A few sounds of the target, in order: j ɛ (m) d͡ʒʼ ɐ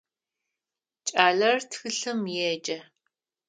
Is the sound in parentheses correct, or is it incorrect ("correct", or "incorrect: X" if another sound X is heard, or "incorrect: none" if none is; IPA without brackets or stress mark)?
incorrect: none